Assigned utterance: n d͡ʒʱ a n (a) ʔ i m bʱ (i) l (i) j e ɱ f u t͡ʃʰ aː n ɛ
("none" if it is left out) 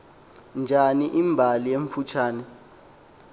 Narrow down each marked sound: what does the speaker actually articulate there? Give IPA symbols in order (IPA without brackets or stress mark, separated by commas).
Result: i, a, i